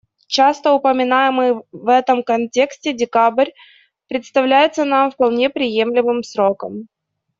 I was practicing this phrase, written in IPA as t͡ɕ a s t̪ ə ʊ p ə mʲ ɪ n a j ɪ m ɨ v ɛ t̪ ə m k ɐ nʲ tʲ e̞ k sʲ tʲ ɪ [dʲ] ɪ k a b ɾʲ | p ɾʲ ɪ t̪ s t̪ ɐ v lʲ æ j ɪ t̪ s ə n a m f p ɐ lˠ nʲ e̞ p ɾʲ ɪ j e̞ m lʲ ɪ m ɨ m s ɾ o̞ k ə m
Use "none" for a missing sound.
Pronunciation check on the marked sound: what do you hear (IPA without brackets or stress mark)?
dʲ